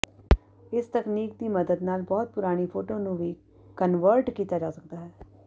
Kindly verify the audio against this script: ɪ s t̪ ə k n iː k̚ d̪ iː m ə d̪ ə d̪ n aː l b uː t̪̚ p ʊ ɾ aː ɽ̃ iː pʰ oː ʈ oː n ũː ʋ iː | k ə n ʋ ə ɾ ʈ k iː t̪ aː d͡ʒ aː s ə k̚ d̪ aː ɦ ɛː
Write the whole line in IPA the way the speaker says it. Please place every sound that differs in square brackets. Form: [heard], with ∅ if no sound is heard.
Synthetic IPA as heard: ɪ s t̪ ə k n iː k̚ d̪ iː m ə d̪ ə d̪ n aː l b [ɔː] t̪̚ p ʊ ɾ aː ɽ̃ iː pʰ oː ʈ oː n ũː ʋ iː | k ə n ʋ ə ɾ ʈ k iː t̪ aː d͡ʒ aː s ə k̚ d̪ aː ɦ ɛː